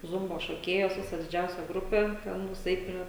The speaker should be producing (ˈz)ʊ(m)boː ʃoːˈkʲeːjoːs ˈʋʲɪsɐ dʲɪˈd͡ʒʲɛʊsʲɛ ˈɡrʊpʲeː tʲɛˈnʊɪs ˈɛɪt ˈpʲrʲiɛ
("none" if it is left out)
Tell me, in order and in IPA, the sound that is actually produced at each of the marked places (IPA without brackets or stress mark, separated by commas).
z, m